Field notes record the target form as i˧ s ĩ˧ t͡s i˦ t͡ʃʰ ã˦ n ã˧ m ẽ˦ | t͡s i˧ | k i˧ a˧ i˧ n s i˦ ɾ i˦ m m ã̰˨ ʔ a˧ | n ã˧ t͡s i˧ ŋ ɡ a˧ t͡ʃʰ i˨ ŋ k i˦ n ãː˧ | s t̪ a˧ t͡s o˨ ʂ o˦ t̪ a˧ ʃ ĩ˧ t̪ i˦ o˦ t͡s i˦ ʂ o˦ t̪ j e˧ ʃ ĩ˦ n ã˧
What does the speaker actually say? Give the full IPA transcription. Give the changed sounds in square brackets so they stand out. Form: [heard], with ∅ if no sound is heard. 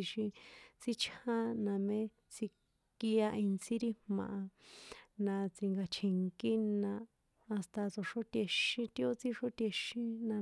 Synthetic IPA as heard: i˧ [ʃ] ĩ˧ t͡s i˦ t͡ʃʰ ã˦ n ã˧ m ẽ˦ | t͡s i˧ | k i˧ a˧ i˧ n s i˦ ɾ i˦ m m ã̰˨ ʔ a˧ | n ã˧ t͡s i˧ ŋ ɡ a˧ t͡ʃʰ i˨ ŋ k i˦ n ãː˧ | s t̪ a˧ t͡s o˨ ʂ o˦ t̪ [e˧] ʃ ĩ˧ t̪ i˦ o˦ t͡s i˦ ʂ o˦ t̪ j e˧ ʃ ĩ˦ n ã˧

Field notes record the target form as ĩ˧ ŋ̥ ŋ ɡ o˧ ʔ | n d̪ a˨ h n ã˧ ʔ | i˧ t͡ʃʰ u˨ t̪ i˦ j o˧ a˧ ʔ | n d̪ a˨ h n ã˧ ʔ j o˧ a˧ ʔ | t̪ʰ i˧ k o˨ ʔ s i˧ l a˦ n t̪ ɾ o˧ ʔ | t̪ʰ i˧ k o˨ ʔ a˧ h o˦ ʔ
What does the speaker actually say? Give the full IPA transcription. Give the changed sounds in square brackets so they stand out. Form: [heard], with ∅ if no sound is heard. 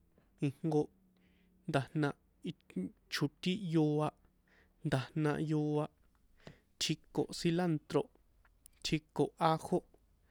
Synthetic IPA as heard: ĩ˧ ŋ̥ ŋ ɡ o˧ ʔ | n d̪ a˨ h n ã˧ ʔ | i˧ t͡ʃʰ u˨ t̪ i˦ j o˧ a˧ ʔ | n d̪ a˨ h n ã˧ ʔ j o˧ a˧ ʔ | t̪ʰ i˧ k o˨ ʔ s i˧ l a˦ n t̪ ɾ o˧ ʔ | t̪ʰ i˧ k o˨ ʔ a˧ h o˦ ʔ

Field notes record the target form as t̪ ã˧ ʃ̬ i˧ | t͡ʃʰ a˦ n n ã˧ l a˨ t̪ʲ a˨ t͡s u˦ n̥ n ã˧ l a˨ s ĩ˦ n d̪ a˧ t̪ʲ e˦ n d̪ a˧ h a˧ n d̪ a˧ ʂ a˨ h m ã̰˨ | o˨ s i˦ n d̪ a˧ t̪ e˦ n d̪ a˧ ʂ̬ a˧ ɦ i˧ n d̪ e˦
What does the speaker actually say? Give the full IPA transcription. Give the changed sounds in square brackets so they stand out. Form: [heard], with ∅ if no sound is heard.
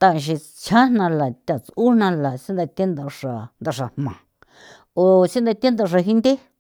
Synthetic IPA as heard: t̪ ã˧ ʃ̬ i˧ | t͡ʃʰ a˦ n n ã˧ l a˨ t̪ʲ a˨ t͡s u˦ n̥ n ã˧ l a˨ s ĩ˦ n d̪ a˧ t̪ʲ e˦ n d̪ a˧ [ʂ] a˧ n d̪ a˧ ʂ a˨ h m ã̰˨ | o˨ s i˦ n d̪ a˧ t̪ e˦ n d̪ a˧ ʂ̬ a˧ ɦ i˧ n d̪ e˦

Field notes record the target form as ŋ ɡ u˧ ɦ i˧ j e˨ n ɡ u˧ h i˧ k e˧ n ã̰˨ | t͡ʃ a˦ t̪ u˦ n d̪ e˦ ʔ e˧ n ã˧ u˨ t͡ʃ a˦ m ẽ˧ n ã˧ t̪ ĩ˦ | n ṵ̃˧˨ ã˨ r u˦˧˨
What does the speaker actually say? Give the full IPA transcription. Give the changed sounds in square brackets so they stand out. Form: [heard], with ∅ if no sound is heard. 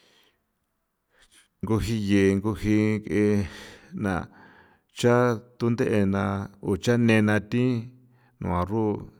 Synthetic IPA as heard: ŋ ɡ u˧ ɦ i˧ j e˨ [ŋ] ɡ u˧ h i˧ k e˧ n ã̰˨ | t͡ʃ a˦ t̪ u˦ n d̪ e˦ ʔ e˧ n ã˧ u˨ t͡ʃ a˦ [n] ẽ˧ n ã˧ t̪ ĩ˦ | n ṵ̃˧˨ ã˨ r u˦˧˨

